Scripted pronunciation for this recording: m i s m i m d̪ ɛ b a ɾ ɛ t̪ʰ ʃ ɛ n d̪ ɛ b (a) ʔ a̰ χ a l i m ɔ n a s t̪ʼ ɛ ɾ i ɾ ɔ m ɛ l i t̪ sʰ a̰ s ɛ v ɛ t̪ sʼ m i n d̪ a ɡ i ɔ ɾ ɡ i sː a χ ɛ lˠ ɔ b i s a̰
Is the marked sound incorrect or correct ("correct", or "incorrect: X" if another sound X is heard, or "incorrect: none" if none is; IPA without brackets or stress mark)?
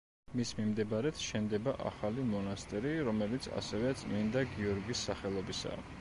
correct